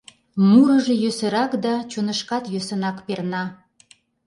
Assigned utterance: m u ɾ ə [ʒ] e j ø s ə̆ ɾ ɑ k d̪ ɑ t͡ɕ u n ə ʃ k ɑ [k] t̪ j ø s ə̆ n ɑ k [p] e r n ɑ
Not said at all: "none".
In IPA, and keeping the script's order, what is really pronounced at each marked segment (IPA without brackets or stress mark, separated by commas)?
ʒ, none, p